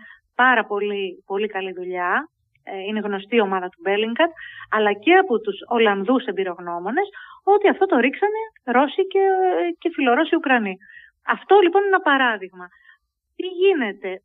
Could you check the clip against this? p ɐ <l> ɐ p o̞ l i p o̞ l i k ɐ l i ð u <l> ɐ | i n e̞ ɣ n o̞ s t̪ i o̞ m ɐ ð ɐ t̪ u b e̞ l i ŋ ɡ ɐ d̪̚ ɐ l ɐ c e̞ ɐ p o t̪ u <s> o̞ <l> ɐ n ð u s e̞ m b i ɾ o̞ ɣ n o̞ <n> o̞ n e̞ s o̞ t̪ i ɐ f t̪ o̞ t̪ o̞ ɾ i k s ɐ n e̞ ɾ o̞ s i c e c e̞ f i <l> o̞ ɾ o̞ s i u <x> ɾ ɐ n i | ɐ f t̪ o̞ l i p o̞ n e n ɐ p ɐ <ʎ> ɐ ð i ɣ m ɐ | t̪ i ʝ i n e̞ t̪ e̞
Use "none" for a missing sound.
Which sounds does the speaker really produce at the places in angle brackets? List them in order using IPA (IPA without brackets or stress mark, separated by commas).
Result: ɾ, ʎ, s, l, m, l, k, ɾ